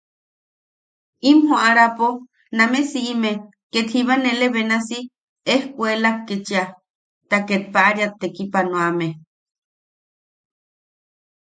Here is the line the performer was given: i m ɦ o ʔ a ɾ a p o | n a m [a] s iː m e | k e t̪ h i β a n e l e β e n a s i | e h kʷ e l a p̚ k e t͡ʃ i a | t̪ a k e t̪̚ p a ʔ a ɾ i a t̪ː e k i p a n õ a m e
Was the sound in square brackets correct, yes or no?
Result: no